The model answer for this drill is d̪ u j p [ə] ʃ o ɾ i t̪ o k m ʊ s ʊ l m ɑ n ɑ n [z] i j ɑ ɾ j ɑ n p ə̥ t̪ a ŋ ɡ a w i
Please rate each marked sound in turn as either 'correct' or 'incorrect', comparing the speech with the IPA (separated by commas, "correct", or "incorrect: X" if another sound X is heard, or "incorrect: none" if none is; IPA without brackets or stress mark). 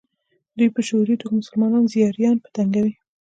correct, correct